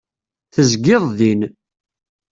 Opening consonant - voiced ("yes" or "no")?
no